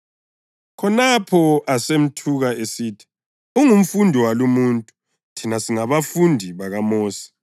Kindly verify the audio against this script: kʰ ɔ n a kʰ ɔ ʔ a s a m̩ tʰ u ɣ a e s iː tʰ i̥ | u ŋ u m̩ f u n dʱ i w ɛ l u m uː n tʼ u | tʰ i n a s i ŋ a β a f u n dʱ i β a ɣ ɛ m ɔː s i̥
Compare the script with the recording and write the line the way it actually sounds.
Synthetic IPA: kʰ ɔ n a pʰ ɔ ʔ a s e m̩ tʰ u ɣ a e s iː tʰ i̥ | u ŋ u m̩ f u n dʱ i w a l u m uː n tʼ u | tʰ i n a s i ŋ a β a f u n dʱ i β a ɣ a m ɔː s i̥